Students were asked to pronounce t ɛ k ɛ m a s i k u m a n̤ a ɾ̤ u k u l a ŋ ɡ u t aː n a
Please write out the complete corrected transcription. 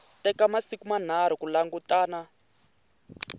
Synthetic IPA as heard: t ɛ k a m a s i k u m a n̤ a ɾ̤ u k u l a ŋ ɡ u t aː n a